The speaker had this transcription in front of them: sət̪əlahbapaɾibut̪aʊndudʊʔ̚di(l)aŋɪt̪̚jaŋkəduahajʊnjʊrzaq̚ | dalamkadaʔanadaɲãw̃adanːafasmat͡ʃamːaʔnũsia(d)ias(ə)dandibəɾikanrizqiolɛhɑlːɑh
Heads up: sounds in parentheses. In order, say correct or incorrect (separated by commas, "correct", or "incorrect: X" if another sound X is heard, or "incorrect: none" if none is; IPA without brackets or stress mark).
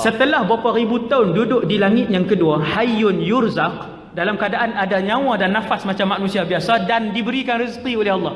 correct, incorrect: b, incorrect: a